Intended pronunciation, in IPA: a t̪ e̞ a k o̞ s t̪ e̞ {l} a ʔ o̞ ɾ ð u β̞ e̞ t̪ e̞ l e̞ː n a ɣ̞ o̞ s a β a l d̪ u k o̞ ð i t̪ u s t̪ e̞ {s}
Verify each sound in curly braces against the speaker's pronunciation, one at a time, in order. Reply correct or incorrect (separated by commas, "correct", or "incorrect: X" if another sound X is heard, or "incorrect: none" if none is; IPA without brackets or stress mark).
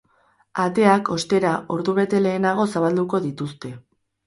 incorrect: ɾ, incorrect: none